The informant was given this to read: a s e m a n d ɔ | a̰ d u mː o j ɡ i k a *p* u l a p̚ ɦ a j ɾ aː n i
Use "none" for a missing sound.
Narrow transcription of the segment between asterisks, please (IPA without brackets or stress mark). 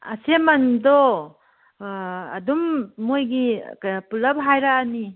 p